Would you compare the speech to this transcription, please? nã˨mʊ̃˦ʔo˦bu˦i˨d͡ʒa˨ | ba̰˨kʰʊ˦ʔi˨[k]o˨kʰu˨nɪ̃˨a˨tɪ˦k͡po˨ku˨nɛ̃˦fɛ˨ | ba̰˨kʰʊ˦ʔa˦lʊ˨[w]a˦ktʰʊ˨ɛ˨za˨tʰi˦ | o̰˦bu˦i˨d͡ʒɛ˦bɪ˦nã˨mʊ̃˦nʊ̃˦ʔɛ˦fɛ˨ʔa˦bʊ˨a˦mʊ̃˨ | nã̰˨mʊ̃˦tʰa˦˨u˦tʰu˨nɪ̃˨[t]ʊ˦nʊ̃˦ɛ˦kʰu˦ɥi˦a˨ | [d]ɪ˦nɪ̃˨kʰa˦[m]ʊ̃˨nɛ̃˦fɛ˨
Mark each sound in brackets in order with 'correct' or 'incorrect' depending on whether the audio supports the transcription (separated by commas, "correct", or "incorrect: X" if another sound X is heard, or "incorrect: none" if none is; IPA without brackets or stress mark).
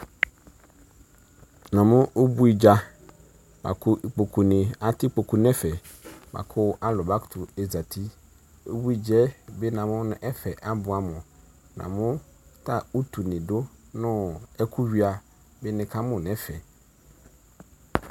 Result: incorrect: k͡p, incorrect: b, incorrect: d, incorrect: b, correct